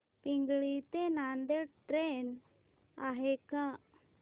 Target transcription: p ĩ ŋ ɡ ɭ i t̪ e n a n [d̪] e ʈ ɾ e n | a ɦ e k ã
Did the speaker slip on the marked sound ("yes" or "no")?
no